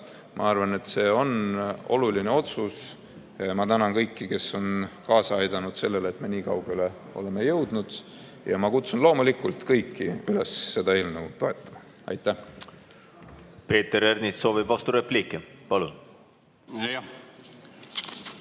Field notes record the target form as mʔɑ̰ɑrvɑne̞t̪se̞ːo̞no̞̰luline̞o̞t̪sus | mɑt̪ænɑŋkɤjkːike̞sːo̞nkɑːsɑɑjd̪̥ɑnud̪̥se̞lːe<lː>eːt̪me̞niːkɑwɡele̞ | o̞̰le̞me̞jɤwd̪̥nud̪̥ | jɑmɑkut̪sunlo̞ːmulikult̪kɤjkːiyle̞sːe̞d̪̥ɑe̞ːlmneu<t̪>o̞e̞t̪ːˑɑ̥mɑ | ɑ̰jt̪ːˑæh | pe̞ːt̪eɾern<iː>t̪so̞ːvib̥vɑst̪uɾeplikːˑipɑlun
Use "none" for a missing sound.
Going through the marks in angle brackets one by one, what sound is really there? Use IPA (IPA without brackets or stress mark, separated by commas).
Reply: l, t̪, i